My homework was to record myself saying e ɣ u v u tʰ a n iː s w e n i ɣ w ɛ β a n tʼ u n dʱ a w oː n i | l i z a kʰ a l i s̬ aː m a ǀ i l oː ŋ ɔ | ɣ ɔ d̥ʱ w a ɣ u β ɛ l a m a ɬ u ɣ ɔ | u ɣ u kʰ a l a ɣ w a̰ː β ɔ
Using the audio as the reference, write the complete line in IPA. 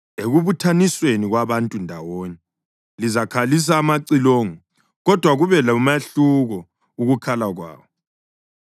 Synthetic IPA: e ɣ u β u tʰ a n i s w e n i ɣ w a β a n tʼ u n dʱ a w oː n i | l i z a kʰ a l i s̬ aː m a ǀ i l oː ŋ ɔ | ɣ ɔ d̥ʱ w a ɣ u β ɛ l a m a ɬ u ɣ ɔ | u ɣ u kʰ a l a ɣ w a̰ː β ɔ